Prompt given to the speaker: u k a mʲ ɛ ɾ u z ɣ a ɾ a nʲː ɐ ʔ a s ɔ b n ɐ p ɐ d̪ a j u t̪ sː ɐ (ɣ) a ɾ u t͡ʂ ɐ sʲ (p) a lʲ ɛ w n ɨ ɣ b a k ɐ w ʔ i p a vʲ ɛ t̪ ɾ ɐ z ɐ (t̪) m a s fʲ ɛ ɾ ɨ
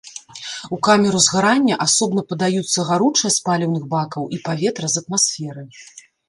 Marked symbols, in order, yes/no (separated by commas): yes, yes, yes